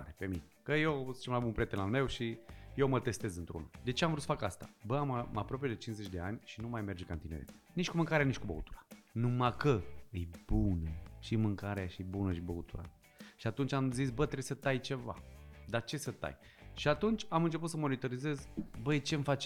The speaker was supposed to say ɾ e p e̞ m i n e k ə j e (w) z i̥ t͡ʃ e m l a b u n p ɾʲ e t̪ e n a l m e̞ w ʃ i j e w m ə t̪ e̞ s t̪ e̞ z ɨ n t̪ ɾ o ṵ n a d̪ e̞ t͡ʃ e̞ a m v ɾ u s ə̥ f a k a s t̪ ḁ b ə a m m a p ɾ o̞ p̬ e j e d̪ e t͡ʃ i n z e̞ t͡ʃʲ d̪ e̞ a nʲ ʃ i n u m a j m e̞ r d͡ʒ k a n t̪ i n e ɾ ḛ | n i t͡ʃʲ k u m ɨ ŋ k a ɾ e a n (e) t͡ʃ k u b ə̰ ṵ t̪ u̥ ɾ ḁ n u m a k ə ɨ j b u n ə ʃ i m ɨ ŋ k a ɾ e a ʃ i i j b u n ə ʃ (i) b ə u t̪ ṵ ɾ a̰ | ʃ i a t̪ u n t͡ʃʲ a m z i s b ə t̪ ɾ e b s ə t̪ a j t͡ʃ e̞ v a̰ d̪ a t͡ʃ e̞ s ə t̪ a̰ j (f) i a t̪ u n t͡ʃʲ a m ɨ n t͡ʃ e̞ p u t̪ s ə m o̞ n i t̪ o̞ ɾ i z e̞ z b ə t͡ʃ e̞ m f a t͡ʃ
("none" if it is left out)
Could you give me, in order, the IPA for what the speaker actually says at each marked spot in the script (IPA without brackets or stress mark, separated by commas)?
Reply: w, i, i, ʃ